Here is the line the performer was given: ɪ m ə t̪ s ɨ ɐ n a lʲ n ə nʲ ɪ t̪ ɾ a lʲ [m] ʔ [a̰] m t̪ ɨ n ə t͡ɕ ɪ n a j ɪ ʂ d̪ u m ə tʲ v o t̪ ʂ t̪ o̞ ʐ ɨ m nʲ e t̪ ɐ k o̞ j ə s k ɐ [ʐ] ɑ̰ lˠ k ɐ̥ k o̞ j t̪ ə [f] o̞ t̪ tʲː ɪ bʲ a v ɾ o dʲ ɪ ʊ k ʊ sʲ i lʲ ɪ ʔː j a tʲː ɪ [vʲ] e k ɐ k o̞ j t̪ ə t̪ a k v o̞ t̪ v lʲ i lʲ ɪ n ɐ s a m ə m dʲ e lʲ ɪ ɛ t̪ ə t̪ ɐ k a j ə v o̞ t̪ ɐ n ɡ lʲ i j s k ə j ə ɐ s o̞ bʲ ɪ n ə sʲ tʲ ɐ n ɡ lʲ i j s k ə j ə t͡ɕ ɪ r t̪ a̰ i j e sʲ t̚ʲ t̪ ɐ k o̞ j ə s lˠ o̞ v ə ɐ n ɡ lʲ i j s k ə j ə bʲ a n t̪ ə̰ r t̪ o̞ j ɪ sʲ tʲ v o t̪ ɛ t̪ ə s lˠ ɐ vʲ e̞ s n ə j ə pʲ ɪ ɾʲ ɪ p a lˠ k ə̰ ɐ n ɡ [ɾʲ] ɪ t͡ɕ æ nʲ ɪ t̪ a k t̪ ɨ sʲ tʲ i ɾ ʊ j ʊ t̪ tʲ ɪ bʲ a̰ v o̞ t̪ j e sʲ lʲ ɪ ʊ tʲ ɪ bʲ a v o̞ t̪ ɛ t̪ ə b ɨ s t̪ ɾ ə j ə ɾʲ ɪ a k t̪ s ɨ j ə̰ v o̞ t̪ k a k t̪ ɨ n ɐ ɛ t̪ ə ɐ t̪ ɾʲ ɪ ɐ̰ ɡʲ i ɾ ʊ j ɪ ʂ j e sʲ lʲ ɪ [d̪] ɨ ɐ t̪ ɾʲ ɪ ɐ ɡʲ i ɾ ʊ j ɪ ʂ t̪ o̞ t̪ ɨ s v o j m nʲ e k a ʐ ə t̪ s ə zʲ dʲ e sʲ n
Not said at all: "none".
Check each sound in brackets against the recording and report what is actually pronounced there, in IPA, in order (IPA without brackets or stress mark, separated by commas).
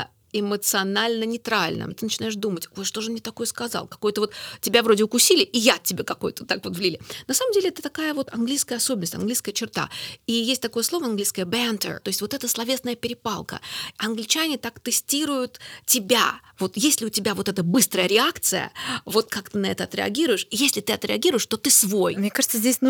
n, ə̰, z, v, bʲ, lʲ, t̪